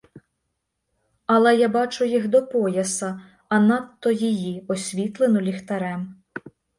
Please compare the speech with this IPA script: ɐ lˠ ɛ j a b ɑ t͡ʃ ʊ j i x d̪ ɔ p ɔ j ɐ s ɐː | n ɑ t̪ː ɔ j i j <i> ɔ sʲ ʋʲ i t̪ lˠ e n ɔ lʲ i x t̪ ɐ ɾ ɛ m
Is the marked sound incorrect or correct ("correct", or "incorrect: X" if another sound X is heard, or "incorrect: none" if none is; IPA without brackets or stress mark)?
correct